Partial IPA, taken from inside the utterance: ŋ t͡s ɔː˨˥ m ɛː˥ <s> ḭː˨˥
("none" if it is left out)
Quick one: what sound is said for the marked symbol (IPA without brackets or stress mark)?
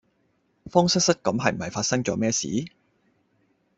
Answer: s